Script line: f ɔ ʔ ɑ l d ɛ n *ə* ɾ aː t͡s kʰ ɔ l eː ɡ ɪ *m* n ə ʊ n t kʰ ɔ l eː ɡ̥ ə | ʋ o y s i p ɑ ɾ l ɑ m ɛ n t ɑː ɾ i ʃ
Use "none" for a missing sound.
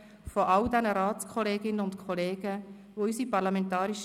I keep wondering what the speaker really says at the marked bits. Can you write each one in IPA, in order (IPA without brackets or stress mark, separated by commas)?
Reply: ə, none